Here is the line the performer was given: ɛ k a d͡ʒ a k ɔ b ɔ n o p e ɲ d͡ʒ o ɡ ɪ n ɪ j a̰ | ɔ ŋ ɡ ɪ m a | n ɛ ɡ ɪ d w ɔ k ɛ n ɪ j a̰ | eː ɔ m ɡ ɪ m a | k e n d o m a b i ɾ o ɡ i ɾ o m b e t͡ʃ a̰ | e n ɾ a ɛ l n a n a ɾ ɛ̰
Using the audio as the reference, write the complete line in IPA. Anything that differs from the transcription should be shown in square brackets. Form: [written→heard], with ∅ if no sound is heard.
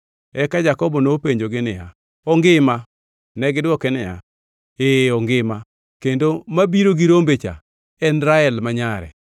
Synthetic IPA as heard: ɛ k a d͡ʒ a k ɔ b ɔ n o p e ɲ d͡ʒ o ɡ ɪ n ɪ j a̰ | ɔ ŋ ɡ ɪ m a | n ɛ ɡ ɪ d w ɔ k ɛ n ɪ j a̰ | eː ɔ [m→ŋ] ɡ ɪ m a | k e n d o m a b i ɾ o ɡ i ɾ o m b e t͡ʃ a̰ | [e→ɛ] n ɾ a ɛ l [n→m] a [n→ɲ] a ɾ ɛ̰